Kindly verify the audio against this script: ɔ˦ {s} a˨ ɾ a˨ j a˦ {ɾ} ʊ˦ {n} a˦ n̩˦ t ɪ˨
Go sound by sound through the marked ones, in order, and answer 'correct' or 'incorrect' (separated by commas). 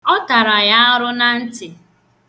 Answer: incorrect, correct, correct